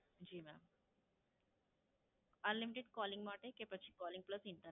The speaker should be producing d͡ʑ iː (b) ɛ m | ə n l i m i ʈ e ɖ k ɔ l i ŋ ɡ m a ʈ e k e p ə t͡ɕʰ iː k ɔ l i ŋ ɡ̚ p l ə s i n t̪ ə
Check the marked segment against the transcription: incorrect: m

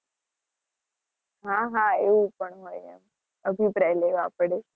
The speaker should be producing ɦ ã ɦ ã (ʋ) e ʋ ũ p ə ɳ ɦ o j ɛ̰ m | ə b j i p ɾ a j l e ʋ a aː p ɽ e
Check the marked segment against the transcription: incorrect: none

